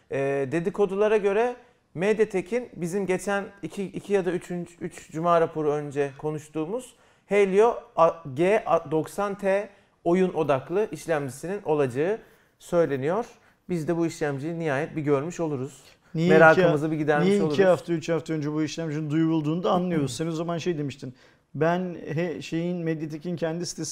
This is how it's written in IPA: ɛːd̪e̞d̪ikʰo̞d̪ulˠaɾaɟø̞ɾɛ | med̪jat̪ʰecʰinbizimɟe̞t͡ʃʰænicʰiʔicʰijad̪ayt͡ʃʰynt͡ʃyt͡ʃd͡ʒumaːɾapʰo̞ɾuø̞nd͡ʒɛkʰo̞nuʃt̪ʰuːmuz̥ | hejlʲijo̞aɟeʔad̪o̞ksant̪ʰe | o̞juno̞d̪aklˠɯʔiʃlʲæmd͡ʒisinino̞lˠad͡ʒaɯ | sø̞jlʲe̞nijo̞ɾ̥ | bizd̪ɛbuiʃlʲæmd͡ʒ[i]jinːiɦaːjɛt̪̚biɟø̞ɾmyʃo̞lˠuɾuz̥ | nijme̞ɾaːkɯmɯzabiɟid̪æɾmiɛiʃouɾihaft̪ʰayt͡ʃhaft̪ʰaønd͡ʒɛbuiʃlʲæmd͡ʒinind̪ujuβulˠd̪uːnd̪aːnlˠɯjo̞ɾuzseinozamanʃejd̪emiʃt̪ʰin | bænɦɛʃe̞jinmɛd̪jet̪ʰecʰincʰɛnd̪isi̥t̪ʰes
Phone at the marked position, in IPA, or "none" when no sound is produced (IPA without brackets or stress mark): i